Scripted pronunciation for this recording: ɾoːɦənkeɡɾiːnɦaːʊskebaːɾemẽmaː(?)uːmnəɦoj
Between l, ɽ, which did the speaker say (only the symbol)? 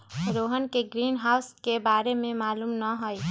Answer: l